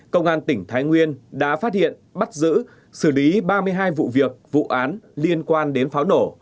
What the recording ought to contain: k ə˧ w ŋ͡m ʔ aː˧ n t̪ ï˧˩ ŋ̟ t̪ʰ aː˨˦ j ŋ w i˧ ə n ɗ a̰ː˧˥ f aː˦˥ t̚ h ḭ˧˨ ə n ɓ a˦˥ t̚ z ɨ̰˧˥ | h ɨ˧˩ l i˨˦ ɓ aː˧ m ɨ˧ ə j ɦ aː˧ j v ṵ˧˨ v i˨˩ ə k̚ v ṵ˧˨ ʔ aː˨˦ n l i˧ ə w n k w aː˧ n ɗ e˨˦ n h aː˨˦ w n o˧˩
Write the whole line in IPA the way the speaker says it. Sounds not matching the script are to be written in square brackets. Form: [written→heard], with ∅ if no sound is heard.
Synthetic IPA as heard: k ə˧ w ŋ͡m ʔ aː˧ n t̪ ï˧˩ ŋ̟ t̪ʰ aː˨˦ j ŋ w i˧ ə n ɗ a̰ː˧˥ f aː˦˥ t̚ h ḭ˧˨ ə n ɓ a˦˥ t̚ z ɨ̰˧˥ | [h→s] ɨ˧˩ l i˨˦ ɓ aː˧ m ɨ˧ ə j ɦ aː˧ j v ṵ˧˨ v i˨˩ ə k̚ v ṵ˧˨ ʔ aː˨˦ n l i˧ ə [w→∅] n k w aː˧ n ɗ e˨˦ n [h→f] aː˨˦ w n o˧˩